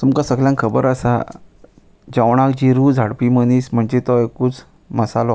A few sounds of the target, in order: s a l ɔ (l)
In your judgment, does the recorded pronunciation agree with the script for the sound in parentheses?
no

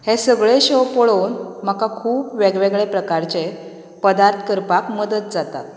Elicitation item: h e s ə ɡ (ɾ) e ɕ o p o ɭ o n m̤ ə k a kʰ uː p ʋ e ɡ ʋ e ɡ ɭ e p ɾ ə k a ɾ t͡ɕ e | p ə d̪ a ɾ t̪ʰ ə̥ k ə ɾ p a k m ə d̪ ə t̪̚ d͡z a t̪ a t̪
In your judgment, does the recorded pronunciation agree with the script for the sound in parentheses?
no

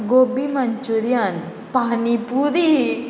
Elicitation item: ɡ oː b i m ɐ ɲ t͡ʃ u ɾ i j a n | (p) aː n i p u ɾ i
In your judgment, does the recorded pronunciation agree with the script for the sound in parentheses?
yes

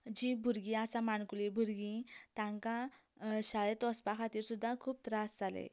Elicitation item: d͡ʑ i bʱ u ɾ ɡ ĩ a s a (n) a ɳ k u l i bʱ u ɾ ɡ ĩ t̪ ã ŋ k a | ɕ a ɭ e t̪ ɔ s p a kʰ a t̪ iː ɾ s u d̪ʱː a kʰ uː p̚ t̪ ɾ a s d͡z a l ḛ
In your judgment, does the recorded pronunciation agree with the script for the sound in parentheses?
no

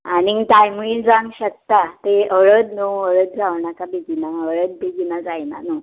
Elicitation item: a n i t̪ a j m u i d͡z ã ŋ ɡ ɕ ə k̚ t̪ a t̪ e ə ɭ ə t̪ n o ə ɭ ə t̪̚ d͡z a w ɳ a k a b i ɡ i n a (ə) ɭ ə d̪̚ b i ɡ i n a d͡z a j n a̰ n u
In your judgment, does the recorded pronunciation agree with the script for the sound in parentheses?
yes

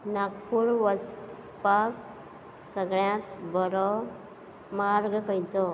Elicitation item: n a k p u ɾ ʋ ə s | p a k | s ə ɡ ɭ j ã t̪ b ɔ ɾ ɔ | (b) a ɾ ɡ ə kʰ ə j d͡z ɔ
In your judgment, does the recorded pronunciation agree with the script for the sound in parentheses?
no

